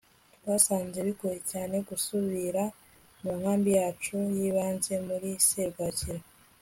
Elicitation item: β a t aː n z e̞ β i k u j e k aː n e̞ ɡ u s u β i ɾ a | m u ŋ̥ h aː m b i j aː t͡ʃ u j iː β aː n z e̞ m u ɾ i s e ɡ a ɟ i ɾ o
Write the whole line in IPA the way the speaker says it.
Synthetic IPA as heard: β a s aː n z e̞ β i k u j e c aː n e̞ ɡ u s u β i ɾ a | m u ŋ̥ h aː m b i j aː t͡ʃ u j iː β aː n z e̞ m u ɾ i s e ɡ a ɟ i ɾ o